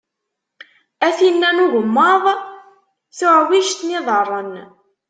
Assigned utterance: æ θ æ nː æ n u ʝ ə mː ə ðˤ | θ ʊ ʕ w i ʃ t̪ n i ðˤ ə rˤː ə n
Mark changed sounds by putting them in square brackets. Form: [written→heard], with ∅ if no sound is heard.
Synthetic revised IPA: æ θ [æ→i] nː æ n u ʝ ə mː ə ðˤ | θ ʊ ʕ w i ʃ t̪ n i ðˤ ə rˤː ə n